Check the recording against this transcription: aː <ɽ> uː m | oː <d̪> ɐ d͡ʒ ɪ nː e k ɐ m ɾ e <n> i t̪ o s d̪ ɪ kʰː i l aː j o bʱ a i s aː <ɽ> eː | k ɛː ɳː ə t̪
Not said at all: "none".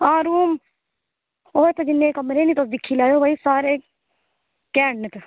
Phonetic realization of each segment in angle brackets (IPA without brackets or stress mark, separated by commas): ɾ, t̪, n, ɾ